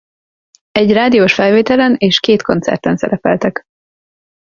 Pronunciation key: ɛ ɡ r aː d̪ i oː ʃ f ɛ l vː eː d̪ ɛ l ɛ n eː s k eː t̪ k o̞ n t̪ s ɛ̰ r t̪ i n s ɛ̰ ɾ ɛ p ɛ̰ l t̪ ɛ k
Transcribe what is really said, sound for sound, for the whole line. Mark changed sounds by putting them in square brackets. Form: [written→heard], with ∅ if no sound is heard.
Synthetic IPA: ɛ [ɡ→ɟ] r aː d̪ i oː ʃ f ɛ l [vː→v] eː [d̪→t̪] ɛ l ɛ n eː [s→ʃ] k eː t̪ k o̞ n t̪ s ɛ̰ r t̪ [i→ɛ] n s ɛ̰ ɾ ɛ p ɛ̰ l t̪ ɛ k